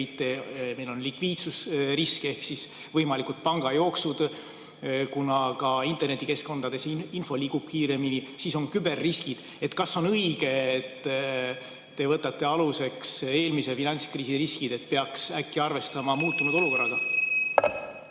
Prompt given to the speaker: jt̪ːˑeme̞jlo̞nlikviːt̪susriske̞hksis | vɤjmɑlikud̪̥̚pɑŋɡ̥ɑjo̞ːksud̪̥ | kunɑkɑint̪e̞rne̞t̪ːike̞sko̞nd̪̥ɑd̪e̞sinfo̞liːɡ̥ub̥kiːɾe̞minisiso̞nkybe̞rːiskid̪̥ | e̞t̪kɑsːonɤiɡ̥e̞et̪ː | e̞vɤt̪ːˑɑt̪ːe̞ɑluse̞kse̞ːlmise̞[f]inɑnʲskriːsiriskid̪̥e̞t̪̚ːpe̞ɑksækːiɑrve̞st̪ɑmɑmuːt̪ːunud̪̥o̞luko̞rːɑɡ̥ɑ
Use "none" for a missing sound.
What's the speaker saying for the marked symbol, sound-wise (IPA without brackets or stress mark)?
f